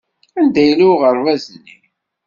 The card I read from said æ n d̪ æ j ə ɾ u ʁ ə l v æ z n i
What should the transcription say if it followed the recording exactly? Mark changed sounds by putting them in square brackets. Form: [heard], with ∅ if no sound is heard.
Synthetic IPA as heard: æ n d̪ æ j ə [l] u ʁ ə [ɾ] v æ z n i